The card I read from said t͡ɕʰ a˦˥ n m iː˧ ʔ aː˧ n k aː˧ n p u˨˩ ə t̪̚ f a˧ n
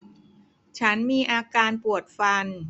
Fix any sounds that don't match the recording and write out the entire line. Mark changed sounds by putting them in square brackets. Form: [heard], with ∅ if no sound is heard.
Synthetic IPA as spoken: t͡ɕʰ a˦˥ n m iː˧ ʔ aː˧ [∅] k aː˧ n p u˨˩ ə t̪̚ f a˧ n